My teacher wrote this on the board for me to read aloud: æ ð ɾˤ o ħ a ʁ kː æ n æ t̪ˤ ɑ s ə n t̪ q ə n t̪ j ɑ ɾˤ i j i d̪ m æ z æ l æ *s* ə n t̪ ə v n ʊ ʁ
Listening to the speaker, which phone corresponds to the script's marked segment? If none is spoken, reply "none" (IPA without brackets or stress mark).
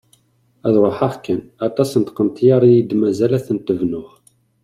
θ